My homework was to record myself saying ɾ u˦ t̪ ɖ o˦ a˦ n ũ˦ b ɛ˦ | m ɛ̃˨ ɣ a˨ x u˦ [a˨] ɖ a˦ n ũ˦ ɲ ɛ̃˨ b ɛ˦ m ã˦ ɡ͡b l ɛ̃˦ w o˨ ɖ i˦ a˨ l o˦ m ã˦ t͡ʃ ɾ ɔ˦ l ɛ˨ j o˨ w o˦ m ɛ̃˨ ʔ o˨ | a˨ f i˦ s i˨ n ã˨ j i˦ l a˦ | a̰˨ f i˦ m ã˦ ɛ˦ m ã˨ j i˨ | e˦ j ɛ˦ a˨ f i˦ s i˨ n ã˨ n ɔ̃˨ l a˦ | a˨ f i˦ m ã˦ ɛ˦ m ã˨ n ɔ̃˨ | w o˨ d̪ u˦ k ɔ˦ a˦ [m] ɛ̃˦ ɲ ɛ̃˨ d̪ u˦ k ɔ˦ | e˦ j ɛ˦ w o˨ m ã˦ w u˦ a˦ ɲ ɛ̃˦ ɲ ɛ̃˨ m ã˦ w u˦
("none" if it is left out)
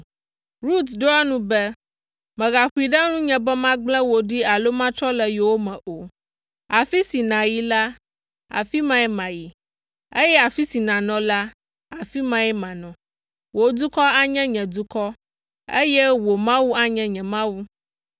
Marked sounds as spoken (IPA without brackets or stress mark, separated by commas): i˨, ɲ